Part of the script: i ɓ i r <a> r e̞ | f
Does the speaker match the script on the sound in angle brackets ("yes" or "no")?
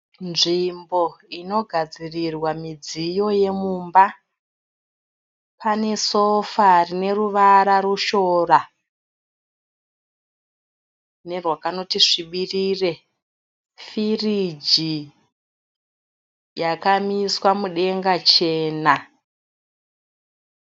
no